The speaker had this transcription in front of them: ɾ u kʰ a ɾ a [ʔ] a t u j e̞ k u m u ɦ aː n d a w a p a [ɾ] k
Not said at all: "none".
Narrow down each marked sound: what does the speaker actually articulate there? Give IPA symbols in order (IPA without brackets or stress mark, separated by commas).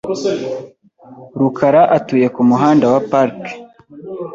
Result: ʔ, ɾ